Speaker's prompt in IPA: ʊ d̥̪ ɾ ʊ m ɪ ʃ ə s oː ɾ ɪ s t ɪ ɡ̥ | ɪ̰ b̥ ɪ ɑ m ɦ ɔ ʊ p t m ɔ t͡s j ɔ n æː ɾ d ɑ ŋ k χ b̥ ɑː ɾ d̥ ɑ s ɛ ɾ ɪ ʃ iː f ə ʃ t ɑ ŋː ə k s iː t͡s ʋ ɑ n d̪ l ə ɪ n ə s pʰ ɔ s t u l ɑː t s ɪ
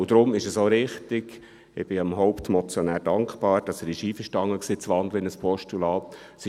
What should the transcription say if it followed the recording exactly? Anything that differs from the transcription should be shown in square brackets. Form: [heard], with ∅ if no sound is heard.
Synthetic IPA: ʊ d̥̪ ɾ ʊ m ɪ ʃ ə s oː ɾ ɪ [χ] t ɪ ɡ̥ | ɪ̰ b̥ ɪ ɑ m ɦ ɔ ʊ p t m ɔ t͡s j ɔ n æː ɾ d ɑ ŋ k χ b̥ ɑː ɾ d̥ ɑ s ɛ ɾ ɪ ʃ iː f ə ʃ t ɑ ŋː ə k s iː t͡s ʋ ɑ n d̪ l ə ɪ n ə s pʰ ɔ [ʃ] t u l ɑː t s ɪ